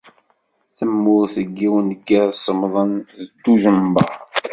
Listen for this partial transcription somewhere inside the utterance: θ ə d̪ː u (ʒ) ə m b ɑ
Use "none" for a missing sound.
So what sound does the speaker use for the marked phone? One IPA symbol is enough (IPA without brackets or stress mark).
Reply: ʒ